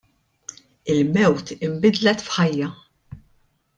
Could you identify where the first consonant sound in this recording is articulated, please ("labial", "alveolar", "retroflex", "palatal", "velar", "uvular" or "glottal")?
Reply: alveolar